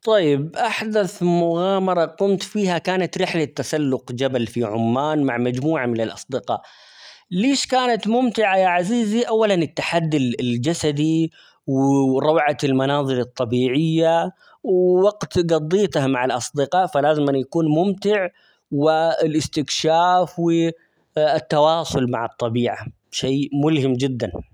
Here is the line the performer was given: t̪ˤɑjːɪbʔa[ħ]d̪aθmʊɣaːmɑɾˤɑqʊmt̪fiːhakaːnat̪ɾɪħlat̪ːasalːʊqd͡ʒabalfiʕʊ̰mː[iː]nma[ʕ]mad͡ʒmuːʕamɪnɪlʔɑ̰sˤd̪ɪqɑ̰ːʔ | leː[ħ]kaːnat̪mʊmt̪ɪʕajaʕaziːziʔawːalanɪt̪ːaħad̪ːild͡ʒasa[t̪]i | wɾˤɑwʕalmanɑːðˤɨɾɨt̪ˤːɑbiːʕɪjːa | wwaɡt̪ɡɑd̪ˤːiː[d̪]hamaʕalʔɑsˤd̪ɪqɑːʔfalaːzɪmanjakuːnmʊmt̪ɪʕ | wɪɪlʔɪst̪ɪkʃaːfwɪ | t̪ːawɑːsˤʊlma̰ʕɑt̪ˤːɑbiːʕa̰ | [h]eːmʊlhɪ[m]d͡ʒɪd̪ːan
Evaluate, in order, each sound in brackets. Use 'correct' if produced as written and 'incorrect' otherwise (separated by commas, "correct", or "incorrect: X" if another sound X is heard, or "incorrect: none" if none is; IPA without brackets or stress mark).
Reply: correct, incorrect: aː, correct, incorrect: ʃ, incorrect: d̪, incorrect: t̪, incorrect: ʃ, correct